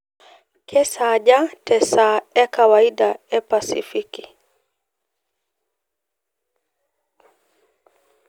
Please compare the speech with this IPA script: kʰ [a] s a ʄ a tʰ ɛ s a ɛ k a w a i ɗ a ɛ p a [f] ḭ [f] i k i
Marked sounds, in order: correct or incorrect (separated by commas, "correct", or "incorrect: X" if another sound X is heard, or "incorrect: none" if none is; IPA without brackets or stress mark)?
incorrect: ɛ, incorrect: s, correct